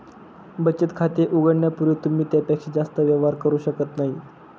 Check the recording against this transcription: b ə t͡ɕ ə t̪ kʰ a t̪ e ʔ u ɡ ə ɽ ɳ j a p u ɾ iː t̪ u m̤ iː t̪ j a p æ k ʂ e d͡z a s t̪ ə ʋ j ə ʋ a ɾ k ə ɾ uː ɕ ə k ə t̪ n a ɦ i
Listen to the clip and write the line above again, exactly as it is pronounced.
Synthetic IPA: b ə t͡ɕ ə t̪ kʰ a t̪ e ʔ u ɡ ə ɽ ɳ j a p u ɾ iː t̪ u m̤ iː t̪ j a p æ k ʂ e d͡z a s t̪ ə ʋ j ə ʋ a ɾ k ə ɾ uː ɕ ə k ə t̪ n a ɦ i